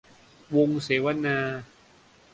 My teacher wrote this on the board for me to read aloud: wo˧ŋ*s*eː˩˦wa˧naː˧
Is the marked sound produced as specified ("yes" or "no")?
yes